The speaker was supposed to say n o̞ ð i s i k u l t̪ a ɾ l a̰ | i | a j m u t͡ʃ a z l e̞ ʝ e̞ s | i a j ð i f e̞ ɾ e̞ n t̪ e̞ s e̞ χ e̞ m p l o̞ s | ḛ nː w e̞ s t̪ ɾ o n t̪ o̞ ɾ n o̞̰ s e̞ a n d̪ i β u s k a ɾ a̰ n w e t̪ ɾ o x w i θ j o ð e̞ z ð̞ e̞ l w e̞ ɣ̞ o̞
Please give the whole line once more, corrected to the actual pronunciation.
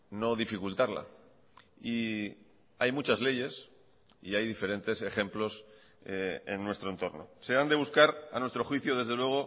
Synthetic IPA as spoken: n o̞ ð i f i k u l t̪ a ɾ l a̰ | i | a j m u t͡ʃ a z l e̞ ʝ e̞ s | i a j ð i f e̞ ɾ e̞ n t̪ e̞ s e̞ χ e̞ m p l o̞ s | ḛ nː w e̞ s t̪ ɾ o n t̪ o̞ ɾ n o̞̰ s e̞ a n d̪ e β u s k a ɾ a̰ n w e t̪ ɾ o x w i θ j o ð e̞ z ð̞ e̞ l w e̞ ɣ̞ o̞